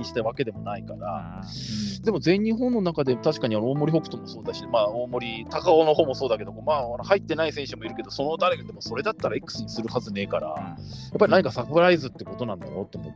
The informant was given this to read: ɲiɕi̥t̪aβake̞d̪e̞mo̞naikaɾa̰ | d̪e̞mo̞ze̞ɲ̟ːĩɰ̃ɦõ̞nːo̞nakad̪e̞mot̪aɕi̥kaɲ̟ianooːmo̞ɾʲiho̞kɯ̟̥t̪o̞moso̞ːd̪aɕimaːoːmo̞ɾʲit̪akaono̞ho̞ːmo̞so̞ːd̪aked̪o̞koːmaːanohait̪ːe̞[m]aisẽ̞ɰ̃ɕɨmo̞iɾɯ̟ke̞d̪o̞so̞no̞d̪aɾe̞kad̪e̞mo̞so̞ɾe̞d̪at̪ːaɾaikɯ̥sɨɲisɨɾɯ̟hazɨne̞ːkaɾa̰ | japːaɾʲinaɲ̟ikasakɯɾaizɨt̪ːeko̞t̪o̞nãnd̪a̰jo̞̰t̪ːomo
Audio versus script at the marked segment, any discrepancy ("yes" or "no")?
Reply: yes